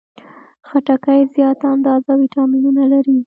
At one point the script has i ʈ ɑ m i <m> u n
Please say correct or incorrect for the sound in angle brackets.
incorrect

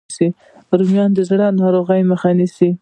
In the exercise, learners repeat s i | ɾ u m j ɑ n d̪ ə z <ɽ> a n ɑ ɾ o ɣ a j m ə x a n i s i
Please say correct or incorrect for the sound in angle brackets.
correct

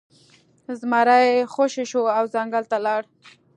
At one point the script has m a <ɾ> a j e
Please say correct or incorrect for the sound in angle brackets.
correct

